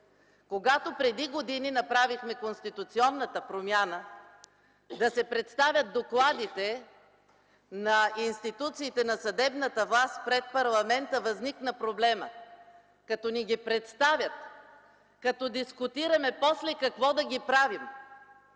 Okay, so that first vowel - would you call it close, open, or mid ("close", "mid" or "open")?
mid